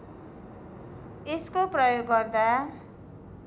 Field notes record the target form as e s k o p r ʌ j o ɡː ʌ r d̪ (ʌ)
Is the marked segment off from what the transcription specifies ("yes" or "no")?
yes